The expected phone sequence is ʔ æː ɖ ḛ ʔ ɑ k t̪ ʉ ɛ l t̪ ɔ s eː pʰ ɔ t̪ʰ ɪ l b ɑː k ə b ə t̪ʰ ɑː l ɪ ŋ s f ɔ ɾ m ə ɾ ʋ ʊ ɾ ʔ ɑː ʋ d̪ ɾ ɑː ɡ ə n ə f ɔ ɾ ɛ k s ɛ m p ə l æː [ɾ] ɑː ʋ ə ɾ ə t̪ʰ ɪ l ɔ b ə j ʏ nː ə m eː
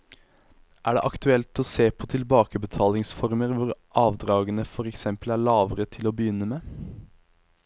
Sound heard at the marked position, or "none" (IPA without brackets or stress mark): ɭ